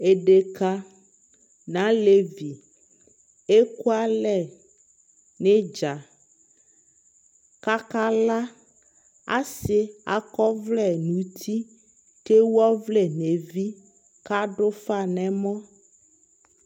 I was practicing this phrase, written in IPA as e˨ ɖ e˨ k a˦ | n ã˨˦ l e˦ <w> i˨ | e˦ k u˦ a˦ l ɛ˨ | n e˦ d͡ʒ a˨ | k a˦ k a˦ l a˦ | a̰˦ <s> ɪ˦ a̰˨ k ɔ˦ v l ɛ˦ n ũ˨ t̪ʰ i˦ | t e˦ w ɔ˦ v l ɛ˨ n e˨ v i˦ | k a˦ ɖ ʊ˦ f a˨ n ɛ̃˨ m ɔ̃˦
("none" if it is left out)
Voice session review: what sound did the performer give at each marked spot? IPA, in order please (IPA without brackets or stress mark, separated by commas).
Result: v, s